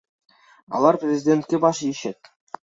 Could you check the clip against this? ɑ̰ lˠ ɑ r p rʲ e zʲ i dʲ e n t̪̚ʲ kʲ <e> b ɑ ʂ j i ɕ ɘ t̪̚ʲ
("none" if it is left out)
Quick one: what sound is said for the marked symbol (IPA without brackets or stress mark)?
e